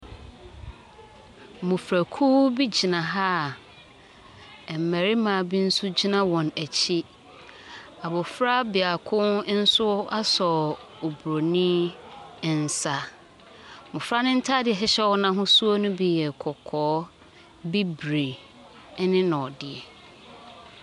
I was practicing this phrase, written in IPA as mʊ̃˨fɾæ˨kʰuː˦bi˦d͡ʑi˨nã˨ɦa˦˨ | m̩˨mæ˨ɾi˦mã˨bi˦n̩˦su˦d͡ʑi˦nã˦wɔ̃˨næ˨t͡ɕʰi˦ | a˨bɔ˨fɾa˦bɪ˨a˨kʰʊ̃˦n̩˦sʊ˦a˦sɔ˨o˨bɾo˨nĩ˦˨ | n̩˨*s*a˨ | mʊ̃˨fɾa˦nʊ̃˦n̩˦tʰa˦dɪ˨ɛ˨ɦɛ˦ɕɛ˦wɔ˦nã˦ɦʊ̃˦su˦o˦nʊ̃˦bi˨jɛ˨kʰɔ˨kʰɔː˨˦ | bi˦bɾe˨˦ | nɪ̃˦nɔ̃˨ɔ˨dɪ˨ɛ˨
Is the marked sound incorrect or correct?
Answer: correct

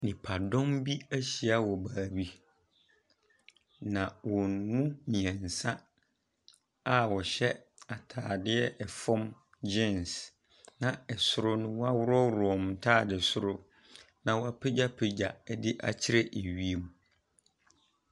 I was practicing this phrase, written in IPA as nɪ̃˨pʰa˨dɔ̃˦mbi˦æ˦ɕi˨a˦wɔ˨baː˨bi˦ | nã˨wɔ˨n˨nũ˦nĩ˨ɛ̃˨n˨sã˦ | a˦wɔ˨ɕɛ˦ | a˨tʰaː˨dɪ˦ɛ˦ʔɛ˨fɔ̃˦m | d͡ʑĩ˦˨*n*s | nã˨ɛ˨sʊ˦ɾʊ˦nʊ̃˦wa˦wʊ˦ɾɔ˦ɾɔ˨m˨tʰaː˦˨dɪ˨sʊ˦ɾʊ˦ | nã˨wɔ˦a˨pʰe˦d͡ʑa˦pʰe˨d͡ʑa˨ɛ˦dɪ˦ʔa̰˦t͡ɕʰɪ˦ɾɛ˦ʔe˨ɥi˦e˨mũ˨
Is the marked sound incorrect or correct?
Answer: correct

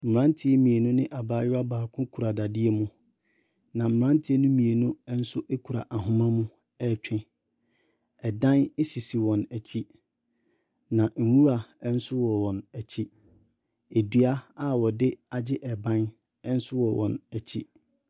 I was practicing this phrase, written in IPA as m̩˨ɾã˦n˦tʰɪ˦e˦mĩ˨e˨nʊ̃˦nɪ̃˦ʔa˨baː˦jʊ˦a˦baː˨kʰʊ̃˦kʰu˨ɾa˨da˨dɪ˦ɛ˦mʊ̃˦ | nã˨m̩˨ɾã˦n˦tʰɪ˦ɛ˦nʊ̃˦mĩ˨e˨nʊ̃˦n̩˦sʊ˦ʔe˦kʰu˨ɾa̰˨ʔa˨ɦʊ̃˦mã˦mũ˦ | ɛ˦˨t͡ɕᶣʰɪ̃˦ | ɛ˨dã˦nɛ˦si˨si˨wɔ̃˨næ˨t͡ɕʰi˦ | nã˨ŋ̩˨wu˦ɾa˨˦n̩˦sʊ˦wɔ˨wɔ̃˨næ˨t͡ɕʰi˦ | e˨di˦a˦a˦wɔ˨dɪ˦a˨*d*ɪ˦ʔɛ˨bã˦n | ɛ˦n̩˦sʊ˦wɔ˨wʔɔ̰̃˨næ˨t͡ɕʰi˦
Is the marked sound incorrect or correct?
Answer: incorrect: d͡ʑ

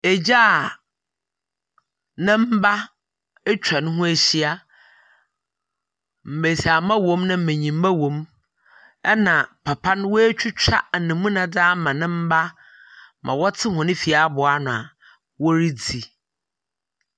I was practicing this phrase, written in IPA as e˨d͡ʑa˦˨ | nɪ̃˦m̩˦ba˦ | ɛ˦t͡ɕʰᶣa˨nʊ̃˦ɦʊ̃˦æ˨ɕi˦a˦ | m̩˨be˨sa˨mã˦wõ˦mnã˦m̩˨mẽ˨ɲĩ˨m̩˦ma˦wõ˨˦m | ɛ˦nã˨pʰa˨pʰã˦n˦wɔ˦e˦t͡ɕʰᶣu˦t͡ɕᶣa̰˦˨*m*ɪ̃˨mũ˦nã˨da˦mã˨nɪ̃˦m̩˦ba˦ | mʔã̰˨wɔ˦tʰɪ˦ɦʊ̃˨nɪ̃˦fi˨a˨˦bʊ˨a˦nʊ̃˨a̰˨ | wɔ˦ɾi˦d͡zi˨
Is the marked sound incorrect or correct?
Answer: incorrect: n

